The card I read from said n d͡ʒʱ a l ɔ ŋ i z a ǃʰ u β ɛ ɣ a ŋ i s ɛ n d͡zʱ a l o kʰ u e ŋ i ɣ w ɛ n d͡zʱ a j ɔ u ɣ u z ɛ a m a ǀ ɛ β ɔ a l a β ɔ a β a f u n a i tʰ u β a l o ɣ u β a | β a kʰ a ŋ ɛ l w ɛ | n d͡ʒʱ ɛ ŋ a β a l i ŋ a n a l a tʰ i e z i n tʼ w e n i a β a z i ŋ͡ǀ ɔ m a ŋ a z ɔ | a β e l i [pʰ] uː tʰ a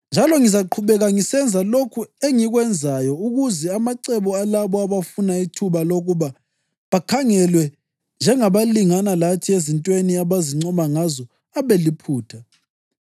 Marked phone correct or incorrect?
correct